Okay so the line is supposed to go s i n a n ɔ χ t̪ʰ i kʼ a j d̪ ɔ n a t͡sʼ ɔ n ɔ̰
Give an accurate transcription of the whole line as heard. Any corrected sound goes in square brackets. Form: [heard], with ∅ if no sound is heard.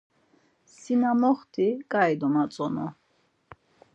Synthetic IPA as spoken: s i n a [m] ɔ χ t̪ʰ i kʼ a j d̪ ɔ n a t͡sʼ ɔ n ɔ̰